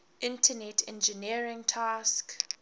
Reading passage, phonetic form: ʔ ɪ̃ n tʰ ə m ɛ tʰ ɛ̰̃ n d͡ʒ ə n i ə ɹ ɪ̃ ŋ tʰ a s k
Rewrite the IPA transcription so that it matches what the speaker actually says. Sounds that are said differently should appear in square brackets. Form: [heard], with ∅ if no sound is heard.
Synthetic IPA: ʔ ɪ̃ n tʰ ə [n] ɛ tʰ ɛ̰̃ n d͡ʒ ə n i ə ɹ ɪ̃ ŋ tʰ a s k